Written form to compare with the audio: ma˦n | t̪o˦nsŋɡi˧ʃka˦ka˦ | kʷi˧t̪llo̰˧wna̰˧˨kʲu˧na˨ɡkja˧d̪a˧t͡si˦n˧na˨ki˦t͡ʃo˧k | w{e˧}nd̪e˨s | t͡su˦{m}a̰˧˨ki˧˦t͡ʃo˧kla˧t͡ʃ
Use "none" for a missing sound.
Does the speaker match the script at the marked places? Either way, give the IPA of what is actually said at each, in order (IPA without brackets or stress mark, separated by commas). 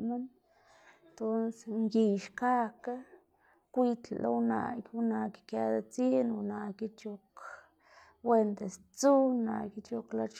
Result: e˧, n